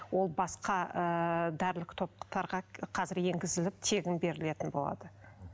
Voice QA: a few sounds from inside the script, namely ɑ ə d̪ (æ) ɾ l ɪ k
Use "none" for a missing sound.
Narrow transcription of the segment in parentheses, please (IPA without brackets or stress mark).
æ